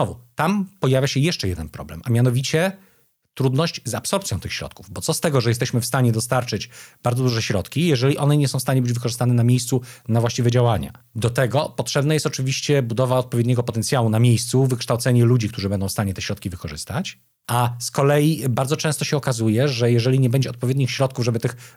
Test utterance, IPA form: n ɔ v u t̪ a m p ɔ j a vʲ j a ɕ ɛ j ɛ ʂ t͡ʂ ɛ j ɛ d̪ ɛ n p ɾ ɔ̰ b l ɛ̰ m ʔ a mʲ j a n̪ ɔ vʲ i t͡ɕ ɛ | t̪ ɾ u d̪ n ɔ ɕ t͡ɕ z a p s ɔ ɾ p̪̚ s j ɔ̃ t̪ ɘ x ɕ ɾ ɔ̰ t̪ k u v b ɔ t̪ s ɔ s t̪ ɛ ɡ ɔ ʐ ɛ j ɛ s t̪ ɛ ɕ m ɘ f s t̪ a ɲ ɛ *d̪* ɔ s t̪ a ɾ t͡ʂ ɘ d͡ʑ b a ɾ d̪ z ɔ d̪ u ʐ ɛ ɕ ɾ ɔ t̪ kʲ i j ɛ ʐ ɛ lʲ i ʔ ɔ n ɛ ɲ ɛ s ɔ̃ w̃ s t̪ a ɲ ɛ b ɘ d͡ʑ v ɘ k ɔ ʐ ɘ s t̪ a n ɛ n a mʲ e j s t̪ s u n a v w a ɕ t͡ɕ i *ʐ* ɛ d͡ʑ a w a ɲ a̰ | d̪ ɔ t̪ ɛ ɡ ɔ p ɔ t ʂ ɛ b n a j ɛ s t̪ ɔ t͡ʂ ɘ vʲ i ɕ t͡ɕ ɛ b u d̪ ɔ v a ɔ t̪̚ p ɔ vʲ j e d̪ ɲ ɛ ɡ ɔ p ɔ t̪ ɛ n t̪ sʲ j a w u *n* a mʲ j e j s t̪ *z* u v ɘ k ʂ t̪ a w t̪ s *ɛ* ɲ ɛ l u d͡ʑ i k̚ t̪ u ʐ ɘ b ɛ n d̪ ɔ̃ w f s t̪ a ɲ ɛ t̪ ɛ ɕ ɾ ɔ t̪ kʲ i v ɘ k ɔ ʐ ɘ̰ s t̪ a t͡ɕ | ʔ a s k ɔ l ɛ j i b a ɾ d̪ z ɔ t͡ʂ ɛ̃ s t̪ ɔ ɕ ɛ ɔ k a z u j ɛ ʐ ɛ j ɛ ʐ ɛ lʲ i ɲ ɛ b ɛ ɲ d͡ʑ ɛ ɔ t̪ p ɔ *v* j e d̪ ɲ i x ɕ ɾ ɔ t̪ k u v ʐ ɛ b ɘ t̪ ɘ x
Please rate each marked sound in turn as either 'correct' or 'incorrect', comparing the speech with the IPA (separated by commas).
correct, incorrect, correct, incorrect, correct, correct